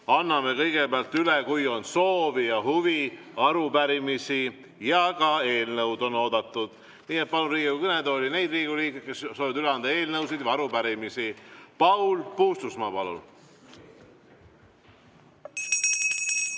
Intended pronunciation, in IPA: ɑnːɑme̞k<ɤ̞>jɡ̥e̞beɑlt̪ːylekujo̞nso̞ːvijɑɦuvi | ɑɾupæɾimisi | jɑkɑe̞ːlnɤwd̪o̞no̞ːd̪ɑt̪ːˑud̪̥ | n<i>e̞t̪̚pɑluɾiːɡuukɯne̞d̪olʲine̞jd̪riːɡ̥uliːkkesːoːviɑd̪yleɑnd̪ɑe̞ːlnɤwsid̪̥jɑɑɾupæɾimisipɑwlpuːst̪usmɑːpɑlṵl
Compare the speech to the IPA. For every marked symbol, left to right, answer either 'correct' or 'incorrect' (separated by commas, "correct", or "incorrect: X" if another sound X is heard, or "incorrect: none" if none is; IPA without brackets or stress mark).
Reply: correct, incorrect: iː